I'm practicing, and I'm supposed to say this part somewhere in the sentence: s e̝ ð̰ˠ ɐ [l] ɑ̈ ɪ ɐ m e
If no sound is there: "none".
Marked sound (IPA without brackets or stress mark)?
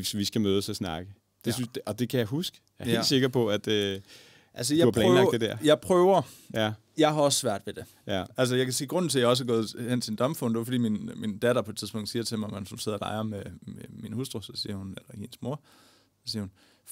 l